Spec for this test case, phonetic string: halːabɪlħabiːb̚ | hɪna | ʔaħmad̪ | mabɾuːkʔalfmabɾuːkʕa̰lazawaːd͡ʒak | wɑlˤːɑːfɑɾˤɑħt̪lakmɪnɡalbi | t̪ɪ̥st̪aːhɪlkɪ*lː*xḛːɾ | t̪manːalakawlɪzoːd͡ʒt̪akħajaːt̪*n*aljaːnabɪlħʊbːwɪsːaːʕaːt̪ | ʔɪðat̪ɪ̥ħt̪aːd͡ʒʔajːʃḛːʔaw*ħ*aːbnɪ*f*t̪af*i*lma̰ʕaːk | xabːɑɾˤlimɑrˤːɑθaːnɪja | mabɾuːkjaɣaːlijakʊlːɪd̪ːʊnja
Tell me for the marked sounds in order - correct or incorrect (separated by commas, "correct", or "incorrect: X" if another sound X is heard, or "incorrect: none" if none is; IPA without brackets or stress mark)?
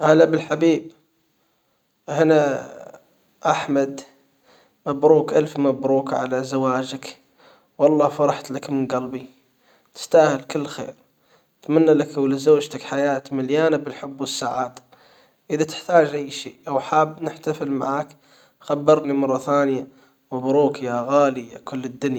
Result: correct, incorrect: m, correct, incorrect: ħ, incorrect: ɪ